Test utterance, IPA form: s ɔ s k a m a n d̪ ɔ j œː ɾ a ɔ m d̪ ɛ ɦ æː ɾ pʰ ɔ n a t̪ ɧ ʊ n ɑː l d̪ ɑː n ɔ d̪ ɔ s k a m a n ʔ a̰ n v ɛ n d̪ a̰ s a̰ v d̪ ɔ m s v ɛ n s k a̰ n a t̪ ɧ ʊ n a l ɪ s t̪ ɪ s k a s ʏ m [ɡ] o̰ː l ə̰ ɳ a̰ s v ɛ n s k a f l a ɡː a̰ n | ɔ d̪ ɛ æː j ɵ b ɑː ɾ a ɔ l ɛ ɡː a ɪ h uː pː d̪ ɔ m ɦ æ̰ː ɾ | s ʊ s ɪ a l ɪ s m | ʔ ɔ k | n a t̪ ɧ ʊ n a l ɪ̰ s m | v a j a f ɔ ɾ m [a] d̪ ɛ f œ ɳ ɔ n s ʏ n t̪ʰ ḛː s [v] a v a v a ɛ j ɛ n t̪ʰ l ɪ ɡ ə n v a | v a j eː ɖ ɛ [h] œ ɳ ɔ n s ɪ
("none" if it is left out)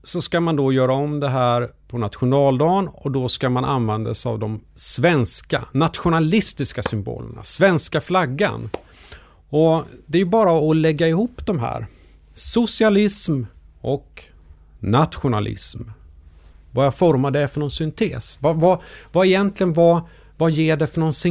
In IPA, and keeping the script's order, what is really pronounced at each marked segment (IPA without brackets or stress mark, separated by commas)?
b, a, v, f